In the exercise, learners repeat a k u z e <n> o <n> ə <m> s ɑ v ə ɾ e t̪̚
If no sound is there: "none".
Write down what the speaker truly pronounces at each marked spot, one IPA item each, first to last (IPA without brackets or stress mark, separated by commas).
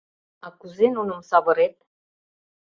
n, n, m